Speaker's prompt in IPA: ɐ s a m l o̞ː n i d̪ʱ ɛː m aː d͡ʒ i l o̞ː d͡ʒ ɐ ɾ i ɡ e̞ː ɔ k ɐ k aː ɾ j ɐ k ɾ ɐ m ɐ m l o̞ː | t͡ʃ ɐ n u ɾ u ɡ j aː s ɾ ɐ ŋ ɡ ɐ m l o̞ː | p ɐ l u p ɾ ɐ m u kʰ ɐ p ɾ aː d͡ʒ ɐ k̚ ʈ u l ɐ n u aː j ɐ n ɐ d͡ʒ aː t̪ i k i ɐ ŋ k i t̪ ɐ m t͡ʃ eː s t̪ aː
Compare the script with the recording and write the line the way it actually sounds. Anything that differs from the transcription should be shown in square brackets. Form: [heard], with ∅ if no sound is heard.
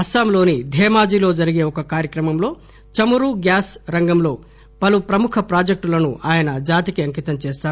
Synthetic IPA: ɐ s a m l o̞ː n i d̪ʱ ɛː m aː d͡ʒ i l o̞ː d͡ʒ ɐ ɾ i ɡ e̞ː ɔ k ɐ k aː ɾ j ɐ k ɾ ɐ m ɐ m l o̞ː | t͡ʃ ɐ [m] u ɾ u ɡ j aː s ɾ ɐ ŋ ɡ ɐ m l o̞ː | p ɐ l u p ɾ ɐ m u kʰ ɐ p ɾ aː d͡ʒ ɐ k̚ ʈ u l ɐ n u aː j ɐ n ɐ d͡ʒ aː t̪ i k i ɐ ŋ k i t̪ ɐ m t͡ʃ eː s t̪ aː